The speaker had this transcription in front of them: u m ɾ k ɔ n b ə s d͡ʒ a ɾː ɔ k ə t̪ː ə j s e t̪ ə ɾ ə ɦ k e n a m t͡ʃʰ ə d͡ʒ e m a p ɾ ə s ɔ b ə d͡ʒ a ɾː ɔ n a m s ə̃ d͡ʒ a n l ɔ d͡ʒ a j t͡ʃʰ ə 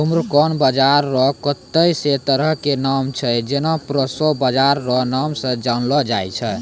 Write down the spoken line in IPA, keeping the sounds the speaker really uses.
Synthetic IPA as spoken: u m ɾ k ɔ n b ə d͡ʒ a ɾː ɔ k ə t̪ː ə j s e t̪ ə ɾ ə ɦ k e n a m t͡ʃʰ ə d͡ʒ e n a p ɾ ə s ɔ b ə d͡ʒ a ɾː ɔ n a m s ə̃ d͡ʒ a n l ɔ d͡ʒ a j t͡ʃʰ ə